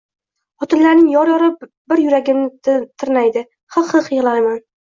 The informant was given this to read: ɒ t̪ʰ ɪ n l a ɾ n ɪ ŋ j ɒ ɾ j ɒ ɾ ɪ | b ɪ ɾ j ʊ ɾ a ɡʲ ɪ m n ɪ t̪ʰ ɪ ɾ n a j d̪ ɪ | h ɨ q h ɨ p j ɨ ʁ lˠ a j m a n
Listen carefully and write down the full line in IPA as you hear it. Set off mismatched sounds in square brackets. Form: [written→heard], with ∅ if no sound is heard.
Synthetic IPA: ɒ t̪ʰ ɪ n l a ɾ n ɪ ŋ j ɒ ɾ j ɒ ɾ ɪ | b ɪ ɾ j ʊ ɾ a ɡʲ ɪ m n ɪ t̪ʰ ɪ ɾ n a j d̪ ɪ | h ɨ q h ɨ [p→q] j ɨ ʁ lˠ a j m a n